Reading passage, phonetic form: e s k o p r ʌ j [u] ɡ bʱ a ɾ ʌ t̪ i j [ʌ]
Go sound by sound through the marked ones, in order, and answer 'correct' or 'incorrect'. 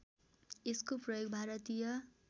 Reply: incorrect, correct

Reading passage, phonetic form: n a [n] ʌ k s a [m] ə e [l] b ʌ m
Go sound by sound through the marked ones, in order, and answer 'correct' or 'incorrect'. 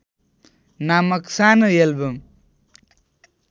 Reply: incorrect, incorrect, correct

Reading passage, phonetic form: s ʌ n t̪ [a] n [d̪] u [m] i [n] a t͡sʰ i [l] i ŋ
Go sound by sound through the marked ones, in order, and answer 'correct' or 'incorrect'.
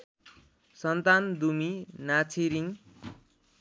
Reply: correct, correct, correct, correct, incorrect

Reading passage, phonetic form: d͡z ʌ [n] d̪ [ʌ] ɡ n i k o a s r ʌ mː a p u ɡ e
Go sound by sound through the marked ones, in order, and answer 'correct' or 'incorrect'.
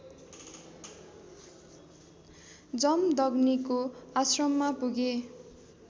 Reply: incorrect, correct

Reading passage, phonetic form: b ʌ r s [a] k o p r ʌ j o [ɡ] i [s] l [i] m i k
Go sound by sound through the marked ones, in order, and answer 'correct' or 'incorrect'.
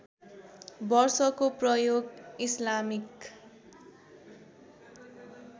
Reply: incorrect, correct, correct, incorrect

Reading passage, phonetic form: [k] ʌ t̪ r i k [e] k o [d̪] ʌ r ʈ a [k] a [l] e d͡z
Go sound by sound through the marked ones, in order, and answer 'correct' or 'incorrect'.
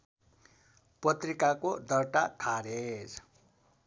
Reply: incorrect, incorrect, correct, incorrect, incorrect

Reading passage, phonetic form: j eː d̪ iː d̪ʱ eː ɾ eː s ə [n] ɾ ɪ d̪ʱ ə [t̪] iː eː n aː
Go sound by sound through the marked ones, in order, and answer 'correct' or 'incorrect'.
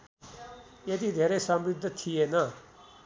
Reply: incorrect, incorrect

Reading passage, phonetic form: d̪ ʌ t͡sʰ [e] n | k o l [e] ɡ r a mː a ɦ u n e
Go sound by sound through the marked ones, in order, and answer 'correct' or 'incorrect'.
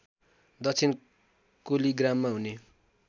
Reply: incorrect, incorrect

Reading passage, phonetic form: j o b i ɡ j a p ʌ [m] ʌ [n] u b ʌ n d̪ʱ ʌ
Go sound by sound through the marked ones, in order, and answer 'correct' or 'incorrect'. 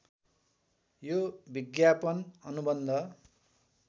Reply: incorrect, correct

